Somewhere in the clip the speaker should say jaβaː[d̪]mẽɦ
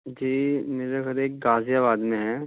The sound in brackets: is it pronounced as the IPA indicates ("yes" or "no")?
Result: yes